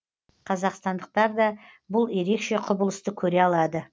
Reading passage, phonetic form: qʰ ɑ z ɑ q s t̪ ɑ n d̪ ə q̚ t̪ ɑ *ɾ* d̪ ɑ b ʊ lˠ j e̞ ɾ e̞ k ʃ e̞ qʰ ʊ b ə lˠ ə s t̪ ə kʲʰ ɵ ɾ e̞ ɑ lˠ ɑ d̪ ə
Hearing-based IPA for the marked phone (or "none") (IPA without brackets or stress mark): ɾ